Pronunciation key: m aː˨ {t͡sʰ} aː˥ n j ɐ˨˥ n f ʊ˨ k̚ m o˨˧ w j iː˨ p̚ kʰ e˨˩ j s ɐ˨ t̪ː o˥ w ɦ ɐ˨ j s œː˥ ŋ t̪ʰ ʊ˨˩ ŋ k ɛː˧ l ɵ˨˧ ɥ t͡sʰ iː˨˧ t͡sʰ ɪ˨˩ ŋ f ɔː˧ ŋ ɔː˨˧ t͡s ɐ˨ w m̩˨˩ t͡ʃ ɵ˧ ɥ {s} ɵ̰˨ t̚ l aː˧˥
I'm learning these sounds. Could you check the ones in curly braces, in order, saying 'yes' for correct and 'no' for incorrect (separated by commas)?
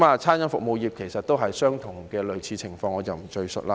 yes, yes